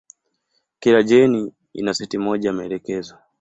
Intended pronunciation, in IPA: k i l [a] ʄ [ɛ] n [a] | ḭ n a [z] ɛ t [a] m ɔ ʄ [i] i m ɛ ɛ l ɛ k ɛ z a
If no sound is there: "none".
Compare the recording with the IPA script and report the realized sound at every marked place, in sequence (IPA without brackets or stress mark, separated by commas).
a, ɛ, i, s, i, a